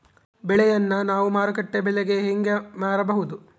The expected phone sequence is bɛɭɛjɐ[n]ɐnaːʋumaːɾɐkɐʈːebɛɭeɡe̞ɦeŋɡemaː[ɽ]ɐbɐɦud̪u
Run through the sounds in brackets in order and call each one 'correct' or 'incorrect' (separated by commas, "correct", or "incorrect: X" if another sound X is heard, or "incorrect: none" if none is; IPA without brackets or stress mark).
incorrect: nː, incorrect: ɾ